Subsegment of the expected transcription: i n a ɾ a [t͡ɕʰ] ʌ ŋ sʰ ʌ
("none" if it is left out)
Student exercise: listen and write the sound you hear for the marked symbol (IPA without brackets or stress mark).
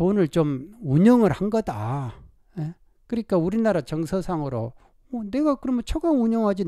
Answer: t͡ɕ